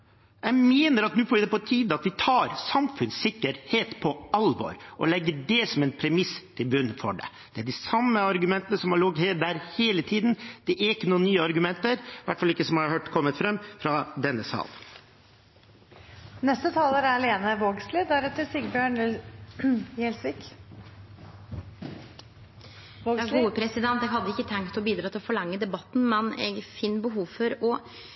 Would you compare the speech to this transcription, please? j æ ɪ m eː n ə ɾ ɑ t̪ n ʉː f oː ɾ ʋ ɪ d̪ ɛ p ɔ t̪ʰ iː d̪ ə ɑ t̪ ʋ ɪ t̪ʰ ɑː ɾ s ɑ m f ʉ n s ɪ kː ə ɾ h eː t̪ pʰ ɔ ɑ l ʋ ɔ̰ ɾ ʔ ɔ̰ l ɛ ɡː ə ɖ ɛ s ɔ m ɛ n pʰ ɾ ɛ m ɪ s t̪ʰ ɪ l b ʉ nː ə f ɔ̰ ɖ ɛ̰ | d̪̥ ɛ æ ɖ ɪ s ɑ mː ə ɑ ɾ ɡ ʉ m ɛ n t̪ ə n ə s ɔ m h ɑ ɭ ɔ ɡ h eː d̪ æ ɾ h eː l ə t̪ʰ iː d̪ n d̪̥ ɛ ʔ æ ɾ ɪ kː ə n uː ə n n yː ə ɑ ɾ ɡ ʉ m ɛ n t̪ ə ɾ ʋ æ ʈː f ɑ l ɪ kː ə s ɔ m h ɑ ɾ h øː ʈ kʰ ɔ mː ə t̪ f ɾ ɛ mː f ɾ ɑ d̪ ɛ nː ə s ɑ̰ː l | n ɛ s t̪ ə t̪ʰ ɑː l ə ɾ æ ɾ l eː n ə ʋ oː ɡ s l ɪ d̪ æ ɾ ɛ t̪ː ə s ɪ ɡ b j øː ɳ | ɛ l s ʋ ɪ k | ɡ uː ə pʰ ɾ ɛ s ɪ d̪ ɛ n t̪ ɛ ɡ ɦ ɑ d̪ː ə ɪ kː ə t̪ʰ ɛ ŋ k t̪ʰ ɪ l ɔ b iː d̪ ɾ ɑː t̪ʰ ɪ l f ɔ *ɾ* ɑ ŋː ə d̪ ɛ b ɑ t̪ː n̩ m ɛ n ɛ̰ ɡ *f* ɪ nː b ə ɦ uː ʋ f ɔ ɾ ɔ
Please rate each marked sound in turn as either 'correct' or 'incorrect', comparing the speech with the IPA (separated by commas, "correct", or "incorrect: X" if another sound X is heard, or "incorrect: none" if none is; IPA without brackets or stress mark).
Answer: incorrect: ɭ, correct